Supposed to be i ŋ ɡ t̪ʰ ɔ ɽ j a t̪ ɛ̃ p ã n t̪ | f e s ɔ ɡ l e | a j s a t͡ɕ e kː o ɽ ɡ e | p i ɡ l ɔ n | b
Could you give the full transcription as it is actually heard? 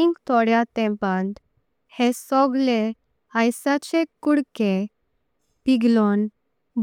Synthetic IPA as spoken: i ŋ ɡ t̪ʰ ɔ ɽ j a t̪ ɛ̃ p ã n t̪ | h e s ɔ ɡ l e | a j s a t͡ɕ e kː u ɽ k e | p i ɡ l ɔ n | b